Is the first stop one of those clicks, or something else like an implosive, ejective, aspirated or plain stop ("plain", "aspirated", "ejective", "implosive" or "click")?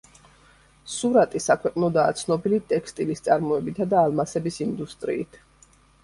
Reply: ejective